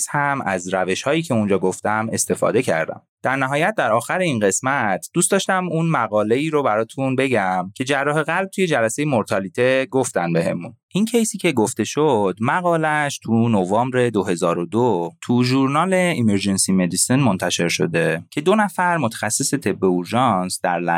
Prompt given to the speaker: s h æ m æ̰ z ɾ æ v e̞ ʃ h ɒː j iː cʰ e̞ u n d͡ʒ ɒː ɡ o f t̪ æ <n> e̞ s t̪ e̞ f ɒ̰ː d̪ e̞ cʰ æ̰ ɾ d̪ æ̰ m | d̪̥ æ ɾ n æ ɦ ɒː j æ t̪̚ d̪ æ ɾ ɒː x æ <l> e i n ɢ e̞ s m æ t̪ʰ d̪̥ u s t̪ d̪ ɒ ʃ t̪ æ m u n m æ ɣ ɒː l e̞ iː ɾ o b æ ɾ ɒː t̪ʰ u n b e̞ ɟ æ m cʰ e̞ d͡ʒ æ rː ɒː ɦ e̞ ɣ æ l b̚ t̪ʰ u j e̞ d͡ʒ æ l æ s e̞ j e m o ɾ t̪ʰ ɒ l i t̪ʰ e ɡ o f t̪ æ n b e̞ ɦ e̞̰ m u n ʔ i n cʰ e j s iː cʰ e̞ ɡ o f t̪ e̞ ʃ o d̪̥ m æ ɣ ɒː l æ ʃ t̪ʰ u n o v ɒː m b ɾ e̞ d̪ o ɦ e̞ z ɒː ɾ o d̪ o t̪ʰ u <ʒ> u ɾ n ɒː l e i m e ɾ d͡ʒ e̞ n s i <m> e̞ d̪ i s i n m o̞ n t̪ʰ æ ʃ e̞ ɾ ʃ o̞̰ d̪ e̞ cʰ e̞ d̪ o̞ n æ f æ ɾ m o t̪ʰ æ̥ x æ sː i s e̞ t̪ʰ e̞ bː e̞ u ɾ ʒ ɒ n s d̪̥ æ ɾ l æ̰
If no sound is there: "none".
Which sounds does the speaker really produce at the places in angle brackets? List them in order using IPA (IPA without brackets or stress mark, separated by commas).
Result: m, ɾ, ʒ, m